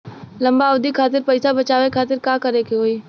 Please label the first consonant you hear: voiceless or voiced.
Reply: voiced